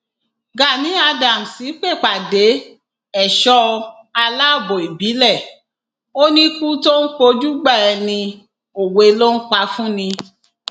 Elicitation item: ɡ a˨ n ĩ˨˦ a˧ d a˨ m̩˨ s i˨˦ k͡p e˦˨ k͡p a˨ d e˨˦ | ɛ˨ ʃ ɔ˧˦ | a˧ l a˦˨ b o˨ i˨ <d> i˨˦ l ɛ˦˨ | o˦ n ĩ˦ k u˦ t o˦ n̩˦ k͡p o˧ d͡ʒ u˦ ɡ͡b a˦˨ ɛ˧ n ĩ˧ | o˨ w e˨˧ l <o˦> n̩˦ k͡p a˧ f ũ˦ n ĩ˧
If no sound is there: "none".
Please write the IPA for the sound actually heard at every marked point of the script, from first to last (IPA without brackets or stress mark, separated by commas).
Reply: b, o˦